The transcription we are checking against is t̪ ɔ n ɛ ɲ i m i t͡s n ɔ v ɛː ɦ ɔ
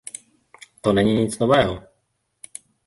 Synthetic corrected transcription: t̪ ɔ n ɛ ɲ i ɲ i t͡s n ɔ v ɛː ɦ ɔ